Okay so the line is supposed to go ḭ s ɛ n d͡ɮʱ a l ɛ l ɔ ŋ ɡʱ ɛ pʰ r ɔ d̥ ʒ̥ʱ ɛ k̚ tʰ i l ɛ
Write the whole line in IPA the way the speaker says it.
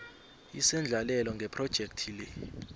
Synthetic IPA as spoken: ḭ s ɛ n d͡ɮʱ a l ɛ l ɔ ŋ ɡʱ ɛ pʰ r ɔ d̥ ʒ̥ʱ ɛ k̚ tʰ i l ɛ

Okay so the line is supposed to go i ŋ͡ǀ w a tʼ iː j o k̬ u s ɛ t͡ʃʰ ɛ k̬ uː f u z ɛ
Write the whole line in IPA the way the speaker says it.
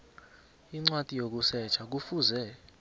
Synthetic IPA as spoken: i ŋ͡ǀ w a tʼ i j o k̬ u s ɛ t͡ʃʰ a k̬ u f u z ɛ

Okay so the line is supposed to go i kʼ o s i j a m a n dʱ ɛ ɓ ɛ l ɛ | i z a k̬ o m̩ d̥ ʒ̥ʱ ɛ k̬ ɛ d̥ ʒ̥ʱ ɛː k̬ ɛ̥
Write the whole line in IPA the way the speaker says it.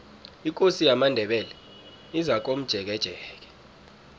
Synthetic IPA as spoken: i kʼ o s i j a m a n dʱ ɛ ɓ ɛ l ɛ | i z a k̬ o m̩ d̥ ʒ̥ʱ ɛ k̬ ɛ d̥ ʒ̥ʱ ɛː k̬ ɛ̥

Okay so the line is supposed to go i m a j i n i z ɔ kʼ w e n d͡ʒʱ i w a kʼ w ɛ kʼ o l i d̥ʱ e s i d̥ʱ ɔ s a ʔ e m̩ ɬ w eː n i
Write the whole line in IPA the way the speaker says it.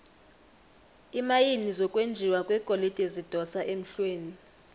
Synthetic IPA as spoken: i m a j i n i z ɔ kʼ w e n d͡ʒʱ i w a kʼ w ɛ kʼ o l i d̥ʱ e z i d̥ʱ ɔ s a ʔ e m̩ ɬ w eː n i

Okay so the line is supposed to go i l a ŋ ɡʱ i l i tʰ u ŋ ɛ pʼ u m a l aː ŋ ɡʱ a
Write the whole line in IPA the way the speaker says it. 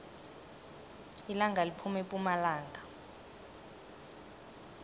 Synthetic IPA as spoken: i l a ŋ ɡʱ a l i pʰ u m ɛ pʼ u m a l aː ŋ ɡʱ a

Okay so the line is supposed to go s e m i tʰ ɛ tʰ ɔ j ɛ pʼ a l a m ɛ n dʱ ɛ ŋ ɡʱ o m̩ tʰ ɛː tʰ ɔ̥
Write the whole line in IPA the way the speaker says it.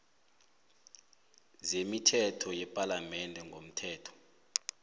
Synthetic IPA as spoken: z e m i tʰ ɛ tʰ ɔ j ɛ pʼ a l a m ɛ n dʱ ɛ ŋ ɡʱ o m̩ tʰ ɛː tʰ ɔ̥

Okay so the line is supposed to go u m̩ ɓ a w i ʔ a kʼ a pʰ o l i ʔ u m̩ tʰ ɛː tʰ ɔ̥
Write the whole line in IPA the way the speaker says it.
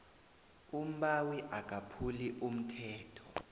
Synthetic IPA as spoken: u m̩ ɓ a w i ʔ a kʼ a pʰ u l i ʔ u m̩ tʰ ɛː tʰ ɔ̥

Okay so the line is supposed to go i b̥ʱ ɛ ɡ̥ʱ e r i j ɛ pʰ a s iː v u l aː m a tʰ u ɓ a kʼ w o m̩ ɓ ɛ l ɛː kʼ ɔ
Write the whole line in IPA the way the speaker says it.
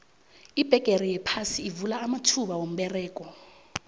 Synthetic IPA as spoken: i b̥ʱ ɛ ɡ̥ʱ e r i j ɛ pʰ a s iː v u l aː m a tʰ u ɓ a w o m̩ ɓ ɛ r ɛː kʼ ɔ

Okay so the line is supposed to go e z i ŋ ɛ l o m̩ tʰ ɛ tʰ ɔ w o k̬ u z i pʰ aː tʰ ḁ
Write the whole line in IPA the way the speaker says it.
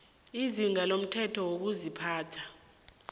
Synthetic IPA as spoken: i z i ŋ a l o m̩ tʰ ɛ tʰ ɔ w o k̬ u z i pʰ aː tʰ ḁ

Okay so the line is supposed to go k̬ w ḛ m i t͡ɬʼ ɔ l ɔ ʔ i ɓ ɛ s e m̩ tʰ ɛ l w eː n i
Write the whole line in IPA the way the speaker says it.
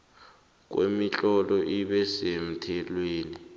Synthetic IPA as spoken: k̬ w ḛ m i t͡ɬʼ ɔ l ɔ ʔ i ɓ ɛ s e m̩ tʰ ɛ l w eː n i

